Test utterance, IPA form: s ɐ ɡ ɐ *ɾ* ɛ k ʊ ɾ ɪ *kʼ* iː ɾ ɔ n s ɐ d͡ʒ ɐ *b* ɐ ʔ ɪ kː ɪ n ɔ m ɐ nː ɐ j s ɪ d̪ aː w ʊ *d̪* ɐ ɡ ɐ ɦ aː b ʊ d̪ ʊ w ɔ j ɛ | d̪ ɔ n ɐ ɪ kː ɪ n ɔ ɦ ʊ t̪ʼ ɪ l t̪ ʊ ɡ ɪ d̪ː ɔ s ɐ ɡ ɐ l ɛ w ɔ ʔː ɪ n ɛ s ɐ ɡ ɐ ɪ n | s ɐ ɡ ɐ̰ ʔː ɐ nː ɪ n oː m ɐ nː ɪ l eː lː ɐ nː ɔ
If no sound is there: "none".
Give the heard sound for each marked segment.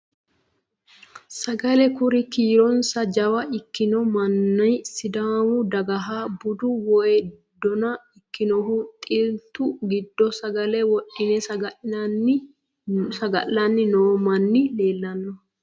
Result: l, k, w, d̪

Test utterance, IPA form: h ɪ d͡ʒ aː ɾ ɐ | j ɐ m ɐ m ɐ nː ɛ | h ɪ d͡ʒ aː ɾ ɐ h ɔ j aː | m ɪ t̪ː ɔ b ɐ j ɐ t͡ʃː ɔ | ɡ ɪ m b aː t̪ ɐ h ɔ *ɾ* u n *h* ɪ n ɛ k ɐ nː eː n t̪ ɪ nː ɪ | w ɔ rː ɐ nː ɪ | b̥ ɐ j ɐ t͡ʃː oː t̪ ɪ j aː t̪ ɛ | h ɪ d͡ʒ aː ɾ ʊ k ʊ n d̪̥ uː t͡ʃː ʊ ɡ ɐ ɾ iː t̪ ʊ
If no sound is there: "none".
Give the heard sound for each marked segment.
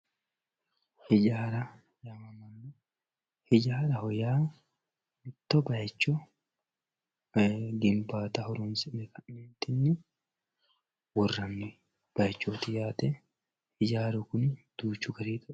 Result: ɾ, s

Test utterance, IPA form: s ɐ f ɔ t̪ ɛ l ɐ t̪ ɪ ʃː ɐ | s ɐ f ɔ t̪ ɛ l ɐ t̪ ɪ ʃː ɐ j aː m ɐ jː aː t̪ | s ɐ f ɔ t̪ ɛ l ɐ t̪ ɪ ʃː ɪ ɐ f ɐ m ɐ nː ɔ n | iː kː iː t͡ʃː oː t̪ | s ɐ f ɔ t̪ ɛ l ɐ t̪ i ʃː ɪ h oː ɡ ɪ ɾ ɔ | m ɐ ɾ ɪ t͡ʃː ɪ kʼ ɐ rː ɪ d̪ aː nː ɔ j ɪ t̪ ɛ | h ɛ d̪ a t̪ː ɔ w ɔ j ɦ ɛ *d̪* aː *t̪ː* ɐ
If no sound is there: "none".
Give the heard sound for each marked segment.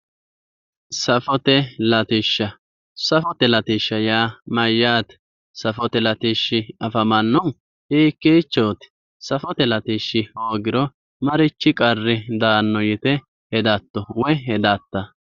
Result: d̪, t̪ː

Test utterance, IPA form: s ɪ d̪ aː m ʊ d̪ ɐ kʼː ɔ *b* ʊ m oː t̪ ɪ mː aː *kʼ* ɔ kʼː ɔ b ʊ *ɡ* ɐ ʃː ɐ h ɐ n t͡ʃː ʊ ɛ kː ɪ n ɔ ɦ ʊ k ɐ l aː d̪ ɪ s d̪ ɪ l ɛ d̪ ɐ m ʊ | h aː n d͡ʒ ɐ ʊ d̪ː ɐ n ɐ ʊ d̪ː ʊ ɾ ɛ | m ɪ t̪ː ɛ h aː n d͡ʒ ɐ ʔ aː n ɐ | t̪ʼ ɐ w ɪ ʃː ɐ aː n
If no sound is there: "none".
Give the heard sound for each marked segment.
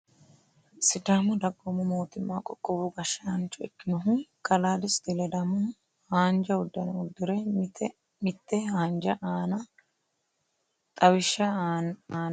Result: m, kʼ, ɡ

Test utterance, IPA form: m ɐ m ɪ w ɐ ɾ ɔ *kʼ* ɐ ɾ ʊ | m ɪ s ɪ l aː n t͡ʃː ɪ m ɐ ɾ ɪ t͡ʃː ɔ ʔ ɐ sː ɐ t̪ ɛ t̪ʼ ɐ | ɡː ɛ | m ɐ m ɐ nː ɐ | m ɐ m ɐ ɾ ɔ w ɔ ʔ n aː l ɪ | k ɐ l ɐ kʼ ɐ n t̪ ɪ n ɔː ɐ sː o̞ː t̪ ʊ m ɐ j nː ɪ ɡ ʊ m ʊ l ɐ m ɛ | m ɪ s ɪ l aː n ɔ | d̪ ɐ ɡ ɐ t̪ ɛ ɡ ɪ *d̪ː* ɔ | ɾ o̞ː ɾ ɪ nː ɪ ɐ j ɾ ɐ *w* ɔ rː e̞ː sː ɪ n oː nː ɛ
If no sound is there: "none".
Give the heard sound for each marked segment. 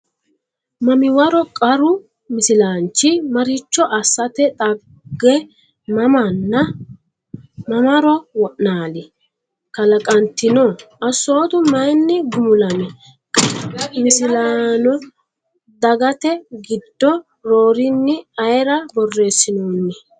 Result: kʼ, d̪ː, b

